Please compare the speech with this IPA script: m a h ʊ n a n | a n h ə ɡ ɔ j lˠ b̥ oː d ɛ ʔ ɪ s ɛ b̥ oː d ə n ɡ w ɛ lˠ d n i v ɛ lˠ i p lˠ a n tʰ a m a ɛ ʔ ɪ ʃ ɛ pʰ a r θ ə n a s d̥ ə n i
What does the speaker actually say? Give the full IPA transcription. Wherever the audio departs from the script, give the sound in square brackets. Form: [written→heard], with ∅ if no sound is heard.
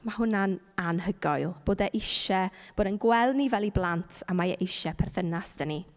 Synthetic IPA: m a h ʊ n a n | a n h ə ɡ ɔ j lˠ b̥ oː d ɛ ʔ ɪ [s→ʃ] ɛ b̥ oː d ə n ɡ w ɛ lˠ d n i v ɛ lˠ i [p→b] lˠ a n tʰ a m a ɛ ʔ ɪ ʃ ɛ pʰ [a→ɛ] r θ ə n a s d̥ ə n i